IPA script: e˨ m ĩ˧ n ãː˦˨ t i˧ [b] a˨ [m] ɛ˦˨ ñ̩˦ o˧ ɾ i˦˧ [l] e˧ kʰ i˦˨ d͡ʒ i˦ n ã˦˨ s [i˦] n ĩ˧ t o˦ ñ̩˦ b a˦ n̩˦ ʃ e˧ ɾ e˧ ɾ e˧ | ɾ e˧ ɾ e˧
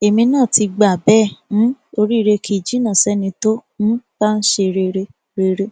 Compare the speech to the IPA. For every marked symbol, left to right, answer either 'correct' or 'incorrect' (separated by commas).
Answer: incorrect, incorrect, incorrect, incorrect